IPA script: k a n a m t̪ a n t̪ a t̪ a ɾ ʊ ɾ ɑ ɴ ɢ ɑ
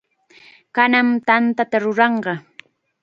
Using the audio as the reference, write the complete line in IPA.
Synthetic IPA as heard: k a n a m t̪ a n t̪ a t̪ a ɾ ʊ ɾ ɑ ɴ ɢ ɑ